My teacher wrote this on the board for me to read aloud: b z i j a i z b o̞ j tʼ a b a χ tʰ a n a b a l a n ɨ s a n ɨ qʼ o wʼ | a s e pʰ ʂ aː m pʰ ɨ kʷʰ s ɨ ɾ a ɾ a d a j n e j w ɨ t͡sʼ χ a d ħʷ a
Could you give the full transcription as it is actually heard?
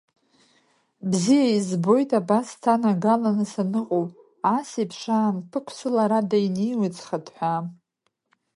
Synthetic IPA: b z i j a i z b o̞ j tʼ a b a s tʰ a n a ɡ a l a n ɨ s a n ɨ qʼ o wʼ | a s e pʰ ʂ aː m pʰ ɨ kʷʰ s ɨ l a ɾ a d a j n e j w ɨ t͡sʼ χ a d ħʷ a